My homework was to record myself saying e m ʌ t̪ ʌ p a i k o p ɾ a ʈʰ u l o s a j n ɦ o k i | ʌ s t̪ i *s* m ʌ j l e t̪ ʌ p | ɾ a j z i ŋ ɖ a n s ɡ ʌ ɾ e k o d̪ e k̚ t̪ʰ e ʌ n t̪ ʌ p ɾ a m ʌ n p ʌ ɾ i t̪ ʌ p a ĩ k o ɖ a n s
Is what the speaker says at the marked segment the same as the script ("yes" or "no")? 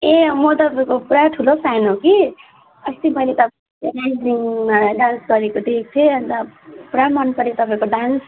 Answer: no